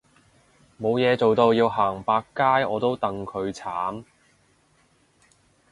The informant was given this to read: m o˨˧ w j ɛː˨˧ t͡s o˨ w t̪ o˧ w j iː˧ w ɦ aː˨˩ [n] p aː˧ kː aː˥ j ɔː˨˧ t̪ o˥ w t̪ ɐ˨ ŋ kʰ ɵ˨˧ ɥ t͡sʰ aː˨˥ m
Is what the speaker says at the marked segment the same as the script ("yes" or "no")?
no